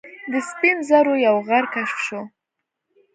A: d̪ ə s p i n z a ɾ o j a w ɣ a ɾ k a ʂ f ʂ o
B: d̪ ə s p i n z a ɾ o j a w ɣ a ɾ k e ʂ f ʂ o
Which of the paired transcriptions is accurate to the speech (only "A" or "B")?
A